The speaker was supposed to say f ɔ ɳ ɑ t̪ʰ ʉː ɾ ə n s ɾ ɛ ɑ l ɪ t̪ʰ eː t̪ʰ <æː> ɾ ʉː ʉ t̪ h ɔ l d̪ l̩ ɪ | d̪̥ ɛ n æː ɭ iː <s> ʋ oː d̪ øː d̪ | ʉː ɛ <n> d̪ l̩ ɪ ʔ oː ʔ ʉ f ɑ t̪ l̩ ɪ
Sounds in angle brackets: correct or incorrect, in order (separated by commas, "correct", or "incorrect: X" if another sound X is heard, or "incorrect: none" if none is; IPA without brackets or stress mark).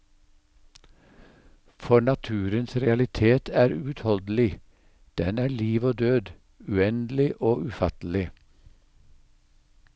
correct, incorrect: none, correct